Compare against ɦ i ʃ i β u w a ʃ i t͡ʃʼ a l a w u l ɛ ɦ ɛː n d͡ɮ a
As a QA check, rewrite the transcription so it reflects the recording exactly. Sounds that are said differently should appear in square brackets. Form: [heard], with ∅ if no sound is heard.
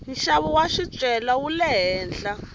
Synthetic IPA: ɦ i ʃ [a] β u w a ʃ i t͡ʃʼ [ɛ] l a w u l ɛ ɦ ɛː n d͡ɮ a